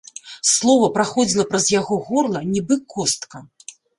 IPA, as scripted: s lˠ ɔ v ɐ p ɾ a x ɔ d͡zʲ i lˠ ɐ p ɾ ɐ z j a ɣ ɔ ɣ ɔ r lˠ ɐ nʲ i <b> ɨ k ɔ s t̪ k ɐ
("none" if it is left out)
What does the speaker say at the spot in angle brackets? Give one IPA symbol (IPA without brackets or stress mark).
b